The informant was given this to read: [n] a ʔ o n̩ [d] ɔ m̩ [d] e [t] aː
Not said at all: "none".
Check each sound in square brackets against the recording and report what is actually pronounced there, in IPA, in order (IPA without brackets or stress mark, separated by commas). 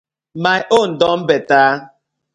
m, d, b, t